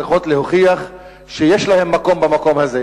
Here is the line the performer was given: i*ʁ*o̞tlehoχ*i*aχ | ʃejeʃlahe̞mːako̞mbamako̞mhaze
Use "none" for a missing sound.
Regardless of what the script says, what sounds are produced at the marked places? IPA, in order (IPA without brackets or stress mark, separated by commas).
χ, i